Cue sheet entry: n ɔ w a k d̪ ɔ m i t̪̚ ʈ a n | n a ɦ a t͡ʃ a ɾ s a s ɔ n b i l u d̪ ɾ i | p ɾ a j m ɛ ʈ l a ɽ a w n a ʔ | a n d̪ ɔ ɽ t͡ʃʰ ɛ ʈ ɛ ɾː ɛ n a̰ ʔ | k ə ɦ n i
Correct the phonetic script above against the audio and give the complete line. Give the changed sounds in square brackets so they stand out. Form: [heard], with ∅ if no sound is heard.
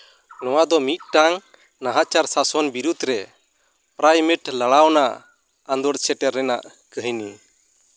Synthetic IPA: n ɔ w a [∅] d̪ ɔ m i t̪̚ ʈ a [ŋ] | n a ɦ a t͡ʃ a ɾ s a s ɔ n b i [ɾ] u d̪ ɾ [ɛ] | p ɾ a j m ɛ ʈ l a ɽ a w n a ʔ | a n d̪ ɔ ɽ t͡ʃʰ ɛ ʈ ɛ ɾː ɛ n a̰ ʔ | k ə ɦ n i